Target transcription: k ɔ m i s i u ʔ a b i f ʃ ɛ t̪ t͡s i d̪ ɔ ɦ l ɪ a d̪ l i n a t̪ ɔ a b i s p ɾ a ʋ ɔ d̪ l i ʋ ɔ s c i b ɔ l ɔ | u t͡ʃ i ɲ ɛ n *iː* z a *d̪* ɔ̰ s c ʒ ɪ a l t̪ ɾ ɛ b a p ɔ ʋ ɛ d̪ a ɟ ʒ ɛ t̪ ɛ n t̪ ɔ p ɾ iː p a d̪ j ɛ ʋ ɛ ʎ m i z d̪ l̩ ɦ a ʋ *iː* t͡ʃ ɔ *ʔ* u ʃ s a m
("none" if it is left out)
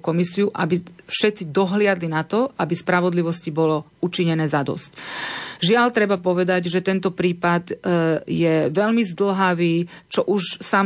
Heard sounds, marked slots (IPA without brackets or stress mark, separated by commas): ɛː, d̪, iː, ʔ